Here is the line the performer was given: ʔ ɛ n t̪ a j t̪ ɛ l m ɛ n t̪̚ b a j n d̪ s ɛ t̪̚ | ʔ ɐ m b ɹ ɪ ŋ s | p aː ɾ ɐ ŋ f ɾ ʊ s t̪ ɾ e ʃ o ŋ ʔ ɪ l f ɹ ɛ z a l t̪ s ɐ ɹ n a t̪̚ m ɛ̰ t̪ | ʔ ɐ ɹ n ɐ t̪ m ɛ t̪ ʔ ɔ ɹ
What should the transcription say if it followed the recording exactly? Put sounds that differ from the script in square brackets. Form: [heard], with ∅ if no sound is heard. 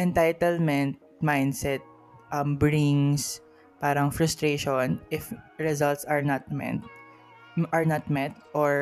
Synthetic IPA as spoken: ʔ ɛ n t̪ a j t̪ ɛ l m ɛ n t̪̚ [m] a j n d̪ s ɛ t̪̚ | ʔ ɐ m b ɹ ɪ ŋ s | p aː ɾ ɐ ŋ f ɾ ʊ s t̪ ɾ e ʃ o [n] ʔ ɪ [∅] f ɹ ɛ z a l t̪ s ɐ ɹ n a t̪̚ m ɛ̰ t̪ | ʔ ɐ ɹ n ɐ t̪ m ɛ t̪ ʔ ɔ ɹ